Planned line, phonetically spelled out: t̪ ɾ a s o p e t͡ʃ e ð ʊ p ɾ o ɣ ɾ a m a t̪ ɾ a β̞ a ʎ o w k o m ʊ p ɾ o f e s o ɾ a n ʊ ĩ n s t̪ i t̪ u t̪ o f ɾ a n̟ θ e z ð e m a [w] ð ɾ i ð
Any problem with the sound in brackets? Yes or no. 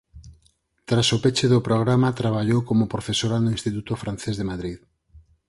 yes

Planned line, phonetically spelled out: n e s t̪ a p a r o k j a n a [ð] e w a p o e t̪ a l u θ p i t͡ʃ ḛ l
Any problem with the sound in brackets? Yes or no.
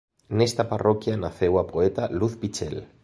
yes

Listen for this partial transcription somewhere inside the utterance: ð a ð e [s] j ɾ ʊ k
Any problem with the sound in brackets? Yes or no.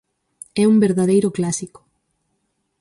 yes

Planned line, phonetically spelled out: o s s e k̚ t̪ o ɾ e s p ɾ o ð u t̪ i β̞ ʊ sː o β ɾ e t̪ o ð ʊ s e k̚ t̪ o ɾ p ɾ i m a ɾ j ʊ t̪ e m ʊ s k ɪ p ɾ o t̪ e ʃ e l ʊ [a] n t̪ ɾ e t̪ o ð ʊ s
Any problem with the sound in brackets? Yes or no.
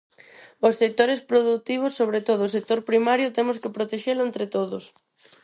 yes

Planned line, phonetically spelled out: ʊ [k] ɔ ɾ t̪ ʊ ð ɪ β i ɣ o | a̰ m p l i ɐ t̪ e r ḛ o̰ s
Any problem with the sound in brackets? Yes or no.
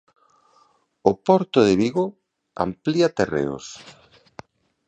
yes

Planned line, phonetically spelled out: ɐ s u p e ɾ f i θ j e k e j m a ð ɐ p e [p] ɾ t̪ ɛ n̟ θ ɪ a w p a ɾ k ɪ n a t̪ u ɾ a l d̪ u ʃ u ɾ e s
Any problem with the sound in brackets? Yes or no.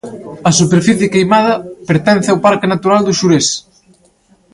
yes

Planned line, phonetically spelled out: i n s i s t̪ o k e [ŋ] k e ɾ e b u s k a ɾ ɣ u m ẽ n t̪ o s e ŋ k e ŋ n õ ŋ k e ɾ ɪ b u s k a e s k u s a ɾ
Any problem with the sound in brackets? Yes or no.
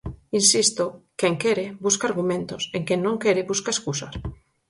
no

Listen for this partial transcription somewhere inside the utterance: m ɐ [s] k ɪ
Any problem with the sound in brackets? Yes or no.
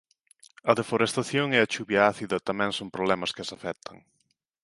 no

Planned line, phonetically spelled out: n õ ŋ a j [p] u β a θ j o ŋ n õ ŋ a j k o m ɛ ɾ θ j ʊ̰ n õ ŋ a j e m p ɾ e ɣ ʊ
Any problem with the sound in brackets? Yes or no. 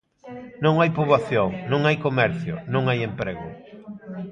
no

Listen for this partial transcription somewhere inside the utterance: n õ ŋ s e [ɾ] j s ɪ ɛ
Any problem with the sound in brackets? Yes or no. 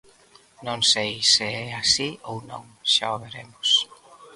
yes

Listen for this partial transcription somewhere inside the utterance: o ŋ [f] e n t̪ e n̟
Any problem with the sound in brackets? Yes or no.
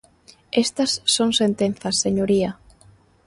yes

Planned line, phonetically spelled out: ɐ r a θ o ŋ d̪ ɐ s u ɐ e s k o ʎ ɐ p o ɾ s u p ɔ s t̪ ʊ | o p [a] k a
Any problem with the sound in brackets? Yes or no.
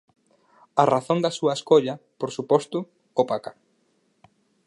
no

